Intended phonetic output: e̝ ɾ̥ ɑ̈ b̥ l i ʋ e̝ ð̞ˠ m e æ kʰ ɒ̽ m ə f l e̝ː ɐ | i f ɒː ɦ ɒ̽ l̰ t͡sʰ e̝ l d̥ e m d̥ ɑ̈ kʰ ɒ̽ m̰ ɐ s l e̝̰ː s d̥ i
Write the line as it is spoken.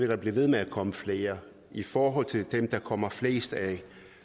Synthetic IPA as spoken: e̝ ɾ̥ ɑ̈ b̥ l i ʋ e̝ ð̞ˠ m e æ kʰ ɒ̽ m ə f l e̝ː ɐ | i f ɒː ɦ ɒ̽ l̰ t͡sʰ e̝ l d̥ e m d̥ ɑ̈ kʰ ɒ̽ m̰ ɐ f l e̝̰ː s d̥ æ